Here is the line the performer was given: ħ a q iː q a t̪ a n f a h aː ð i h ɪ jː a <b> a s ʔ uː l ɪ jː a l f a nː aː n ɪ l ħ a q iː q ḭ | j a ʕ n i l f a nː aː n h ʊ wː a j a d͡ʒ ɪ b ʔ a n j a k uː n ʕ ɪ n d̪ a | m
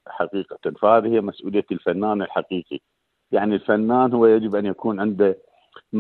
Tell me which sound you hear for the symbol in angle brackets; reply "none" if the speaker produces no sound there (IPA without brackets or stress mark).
m